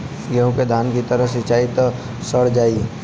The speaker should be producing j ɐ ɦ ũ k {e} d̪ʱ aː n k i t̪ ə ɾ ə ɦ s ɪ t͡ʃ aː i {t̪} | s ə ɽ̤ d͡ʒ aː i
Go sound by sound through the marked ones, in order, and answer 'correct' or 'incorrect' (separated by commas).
correct, correct